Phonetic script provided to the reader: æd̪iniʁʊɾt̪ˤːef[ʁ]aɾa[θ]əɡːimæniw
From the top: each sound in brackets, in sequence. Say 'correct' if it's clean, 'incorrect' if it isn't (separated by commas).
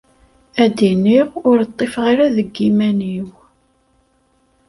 correct, incorrect